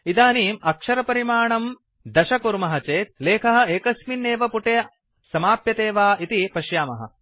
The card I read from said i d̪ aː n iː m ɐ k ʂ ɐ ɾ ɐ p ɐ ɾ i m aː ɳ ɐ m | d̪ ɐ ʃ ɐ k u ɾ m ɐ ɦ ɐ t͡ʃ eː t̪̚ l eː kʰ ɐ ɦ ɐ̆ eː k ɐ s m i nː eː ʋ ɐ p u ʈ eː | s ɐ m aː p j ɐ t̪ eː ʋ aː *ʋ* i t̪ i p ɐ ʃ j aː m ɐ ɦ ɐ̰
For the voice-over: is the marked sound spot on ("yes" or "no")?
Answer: no